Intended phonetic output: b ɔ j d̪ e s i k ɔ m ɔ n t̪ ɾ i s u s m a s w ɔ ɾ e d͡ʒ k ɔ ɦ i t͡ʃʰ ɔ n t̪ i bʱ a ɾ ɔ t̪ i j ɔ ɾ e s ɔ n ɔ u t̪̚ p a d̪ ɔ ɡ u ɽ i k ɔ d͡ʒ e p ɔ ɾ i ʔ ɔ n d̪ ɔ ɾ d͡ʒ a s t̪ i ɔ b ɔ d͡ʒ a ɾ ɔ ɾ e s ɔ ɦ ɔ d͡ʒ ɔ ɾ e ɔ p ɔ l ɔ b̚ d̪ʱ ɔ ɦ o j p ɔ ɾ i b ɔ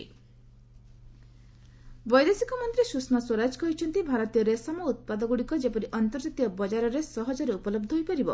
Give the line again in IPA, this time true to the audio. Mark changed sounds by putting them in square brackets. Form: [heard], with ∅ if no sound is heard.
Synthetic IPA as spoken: b ɔ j d̪ e s i k ɔ m ɔ n t̪ ɾ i s u s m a s w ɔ ɾ [a] d͡ʒ k ɔ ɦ i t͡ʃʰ ɔ n t̪ i bʱ a ɾ ɔ t̪ i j ɔ ɾ e s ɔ [m] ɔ u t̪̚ p a d̪ ɔ ɡ u ɽ i k ɔ d͡ʒ e p ɔ ɾ i ʔ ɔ n [t̪] ɔ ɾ d͡ʒ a [∅] t̪ i ɔ b ɔ d͡ʒ a ɾ ɔ ɾ e s ɔ ɦ ɔ d͡ʒ ɔ ɾ e [u] p ɔ l ɔ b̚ d̪ʱ ɔ ɦ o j p ɔ ɾ i b ɔ